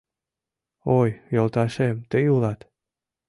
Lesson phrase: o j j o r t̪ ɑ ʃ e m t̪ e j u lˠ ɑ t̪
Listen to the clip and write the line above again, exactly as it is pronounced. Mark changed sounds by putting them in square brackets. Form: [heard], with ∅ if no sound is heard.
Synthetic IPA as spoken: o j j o [l] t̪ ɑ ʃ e m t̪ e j u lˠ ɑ t̪